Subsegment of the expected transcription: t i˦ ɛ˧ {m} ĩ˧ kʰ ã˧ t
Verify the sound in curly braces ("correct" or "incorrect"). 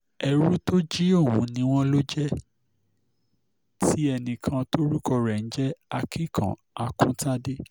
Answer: incorrect